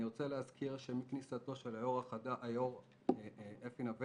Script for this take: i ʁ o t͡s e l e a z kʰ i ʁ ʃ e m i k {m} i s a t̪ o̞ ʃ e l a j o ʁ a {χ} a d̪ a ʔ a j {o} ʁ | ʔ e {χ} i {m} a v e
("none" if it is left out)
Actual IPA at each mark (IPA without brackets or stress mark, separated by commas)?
n, χ, o, f, n